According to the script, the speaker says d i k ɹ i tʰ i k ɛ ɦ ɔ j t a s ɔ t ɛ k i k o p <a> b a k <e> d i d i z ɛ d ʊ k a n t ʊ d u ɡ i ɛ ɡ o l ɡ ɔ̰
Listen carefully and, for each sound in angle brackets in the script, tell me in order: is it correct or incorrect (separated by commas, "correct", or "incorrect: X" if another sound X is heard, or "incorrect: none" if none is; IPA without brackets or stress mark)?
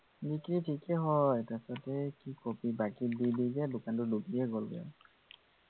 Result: incorrect: i, incorrect: i